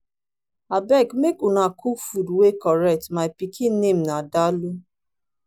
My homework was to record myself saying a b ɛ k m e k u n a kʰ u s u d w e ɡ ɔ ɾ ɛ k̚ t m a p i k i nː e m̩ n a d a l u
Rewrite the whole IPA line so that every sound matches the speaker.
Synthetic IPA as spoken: a b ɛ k m e k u n a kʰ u f u d w e k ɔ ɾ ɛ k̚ t m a p i k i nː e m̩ n a d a l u